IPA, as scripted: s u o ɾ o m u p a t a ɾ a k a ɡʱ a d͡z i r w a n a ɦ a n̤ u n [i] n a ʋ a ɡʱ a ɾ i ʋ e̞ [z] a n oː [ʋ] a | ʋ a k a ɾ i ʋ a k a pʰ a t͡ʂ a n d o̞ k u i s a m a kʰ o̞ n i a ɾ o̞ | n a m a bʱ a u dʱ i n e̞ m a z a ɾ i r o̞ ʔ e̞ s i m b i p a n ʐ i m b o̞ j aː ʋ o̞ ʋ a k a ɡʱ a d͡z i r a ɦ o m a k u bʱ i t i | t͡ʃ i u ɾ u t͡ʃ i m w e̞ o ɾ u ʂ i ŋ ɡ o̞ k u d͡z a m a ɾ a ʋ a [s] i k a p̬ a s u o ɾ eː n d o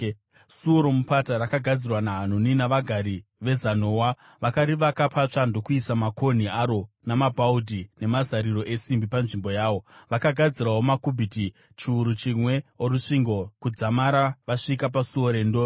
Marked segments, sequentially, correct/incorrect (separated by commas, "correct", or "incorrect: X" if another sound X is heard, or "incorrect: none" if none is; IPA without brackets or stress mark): correct, correct, incorrect: w, incorrect: ʂ